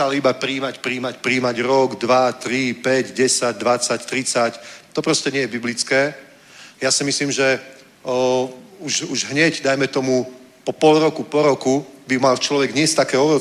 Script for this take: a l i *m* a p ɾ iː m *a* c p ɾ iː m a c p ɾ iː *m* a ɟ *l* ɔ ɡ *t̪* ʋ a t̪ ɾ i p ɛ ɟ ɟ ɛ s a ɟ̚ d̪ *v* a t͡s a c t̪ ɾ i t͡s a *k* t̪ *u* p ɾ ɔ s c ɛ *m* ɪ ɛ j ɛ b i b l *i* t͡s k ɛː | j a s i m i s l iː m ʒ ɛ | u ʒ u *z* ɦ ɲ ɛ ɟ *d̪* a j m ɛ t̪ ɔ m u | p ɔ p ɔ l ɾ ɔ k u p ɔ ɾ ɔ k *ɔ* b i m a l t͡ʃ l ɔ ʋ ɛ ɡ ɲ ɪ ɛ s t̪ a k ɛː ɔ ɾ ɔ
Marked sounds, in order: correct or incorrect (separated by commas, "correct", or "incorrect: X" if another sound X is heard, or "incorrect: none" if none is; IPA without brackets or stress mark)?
incorrect: b, correct, correct, incorrect: ɾ, incorrect: d̪, incorrect: ʋ, incorrect: c, incorrect: ɔ, incorrect: ɲ, correct, incorrect: ʒ, correct, incorrect: u